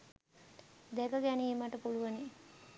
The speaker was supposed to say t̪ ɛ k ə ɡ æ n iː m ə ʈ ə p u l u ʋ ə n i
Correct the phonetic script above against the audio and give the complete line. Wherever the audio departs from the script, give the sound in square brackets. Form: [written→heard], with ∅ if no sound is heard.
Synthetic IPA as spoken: [t̪→d̪] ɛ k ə ɡ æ n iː m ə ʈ ə p u l u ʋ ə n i